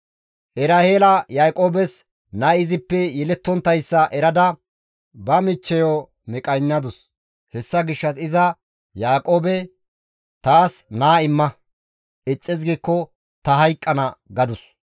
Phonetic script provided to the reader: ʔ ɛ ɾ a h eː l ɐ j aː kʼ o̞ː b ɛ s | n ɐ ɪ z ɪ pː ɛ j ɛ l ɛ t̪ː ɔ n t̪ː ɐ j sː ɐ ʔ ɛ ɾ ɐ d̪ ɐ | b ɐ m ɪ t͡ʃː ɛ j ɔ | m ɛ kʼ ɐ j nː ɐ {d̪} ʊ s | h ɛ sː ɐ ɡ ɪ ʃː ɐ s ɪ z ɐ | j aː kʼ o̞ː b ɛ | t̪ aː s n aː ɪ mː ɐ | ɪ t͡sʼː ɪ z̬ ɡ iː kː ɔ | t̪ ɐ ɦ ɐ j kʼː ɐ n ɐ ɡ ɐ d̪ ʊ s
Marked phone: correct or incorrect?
correct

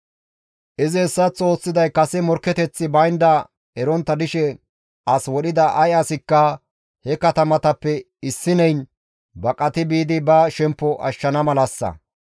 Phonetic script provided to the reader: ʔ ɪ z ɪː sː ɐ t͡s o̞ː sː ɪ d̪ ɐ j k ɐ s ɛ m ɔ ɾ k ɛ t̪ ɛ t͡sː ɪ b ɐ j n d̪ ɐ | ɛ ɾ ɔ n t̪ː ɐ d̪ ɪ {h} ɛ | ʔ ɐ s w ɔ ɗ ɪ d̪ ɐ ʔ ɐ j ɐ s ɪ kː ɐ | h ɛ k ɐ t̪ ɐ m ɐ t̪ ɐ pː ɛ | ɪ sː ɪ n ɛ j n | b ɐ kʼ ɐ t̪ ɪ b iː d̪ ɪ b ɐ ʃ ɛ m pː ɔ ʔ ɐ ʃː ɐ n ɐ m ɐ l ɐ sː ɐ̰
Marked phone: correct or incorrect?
incorrect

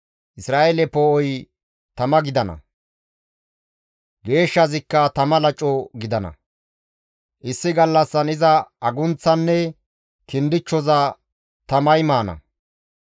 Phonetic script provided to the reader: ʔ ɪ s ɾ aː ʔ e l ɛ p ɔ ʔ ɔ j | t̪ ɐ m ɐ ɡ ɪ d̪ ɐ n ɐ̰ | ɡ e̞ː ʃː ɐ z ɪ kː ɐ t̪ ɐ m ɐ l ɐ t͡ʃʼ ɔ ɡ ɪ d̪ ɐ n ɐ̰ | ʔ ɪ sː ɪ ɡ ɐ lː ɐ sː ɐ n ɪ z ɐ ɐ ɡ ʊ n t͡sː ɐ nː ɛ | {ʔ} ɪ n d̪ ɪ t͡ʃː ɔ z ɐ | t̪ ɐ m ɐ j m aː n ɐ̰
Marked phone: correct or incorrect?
incorrect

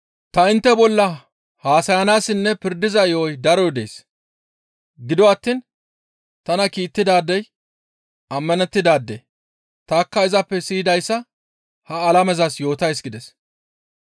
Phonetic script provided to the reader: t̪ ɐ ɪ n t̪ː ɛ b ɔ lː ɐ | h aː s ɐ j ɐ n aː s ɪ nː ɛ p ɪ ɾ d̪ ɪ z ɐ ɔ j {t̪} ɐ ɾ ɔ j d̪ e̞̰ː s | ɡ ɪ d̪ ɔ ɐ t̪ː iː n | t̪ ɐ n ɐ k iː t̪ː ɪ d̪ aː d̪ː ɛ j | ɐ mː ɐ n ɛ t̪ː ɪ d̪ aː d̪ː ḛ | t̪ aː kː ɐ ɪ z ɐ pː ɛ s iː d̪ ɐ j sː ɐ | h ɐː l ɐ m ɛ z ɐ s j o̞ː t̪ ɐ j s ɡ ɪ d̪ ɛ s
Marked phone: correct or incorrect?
incorrect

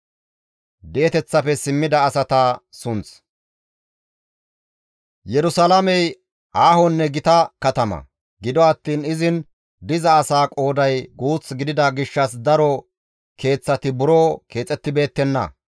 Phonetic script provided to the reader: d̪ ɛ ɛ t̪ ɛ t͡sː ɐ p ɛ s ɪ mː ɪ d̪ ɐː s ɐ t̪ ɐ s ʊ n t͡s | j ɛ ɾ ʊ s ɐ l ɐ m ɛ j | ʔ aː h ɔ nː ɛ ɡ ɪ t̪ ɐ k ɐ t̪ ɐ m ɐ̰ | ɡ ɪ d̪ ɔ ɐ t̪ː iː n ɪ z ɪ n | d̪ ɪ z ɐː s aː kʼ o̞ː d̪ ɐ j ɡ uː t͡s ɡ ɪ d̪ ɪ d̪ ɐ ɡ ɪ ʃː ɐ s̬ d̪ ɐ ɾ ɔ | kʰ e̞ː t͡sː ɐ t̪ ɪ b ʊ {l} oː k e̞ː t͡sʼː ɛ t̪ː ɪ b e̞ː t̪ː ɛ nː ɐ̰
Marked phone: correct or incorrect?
incorrect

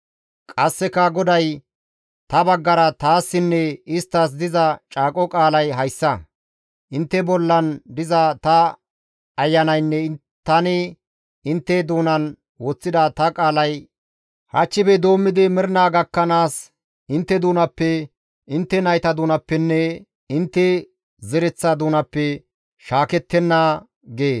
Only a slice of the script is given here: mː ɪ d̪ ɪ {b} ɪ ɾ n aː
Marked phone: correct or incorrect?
incorrect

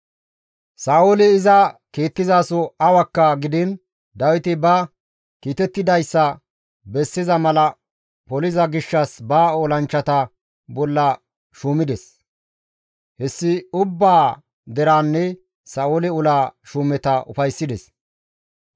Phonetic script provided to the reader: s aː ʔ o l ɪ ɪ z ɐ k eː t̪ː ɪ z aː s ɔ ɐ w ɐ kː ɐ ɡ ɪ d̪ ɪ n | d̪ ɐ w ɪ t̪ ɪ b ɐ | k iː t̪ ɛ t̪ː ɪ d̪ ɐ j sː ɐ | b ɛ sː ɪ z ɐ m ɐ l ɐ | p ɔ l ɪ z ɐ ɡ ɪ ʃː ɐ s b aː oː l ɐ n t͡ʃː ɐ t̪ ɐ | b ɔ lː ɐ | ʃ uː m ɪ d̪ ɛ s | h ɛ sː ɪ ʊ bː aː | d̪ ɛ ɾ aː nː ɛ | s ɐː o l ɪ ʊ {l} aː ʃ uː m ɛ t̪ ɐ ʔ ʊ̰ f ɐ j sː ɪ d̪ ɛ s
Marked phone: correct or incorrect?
correct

